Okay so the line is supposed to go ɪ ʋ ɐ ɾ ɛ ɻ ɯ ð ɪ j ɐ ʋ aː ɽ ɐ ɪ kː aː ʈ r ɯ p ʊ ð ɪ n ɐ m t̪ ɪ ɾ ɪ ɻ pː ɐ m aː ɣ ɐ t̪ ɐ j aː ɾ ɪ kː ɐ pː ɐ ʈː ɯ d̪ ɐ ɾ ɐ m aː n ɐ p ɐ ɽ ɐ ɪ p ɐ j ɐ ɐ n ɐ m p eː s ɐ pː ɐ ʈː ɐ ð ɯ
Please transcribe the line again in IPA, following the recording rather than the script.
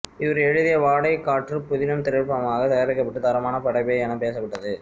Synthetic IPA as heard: ɪ ʋ ɐ ɾ ɛ ɻ ɯ ð ɪ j ɐ ʋ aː ɽ ɐ ɪ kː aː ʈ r ɯ p ʊ ð ɪ n ɐ m t̪ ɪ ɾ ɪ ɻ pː ɐ m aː ɣ ɐ t̪ ɐ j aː ɾ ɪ kː ɐ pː ɐ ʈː ɯ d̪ ɐ ɾ ɐ m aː n ɐ p ɐ ɽ ɐ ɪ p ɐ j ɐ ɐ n ɐ m p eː s ɐ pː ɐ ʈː ɐ ð ɯ